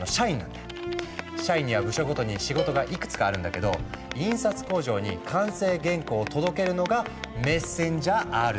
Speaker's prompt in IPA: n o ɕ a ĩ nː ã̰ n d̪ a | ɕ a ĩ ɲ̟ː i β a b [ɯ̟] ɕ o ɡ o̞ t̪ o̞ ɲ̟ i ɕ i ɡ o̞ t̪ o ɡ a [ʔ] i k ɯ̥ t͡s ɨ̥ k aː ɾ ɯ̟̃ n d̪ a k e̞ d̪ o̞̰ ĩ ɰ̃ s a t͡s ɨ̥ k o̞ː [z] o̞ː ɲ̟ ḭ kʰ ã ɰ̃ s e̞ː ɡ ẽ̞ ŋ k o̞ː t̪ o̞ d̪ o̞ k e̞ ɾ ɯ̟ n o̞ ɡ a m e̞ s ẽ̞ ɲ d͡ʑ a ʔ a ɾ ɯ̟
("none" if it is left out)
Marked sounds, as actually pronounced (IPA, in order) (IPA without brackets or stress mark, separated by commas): ɯ̟, ʔ, ʑ